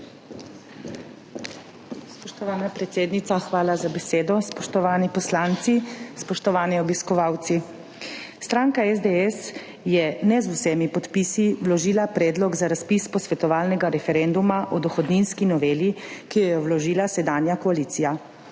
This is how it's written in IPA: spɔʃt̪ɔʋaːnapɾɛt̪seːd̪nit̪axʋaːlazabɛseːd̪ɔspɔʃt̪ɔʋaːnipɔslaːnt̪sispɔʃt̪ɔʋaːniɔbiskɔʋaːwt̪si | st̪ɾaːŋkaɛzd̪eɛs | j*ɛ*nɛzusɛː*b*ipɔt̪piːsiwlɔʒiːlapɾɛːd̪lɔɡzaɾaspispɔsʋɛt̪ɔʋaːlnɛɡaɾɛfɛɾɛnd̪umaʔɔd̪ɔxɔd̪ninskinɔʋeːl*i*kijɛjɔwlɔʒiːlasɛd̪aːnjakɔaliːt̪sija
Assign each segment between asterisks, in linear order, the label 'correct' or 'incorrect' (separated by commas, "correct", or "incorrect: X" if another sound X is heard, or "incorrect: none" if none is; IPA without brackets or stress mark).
correct, incorrect: m, correct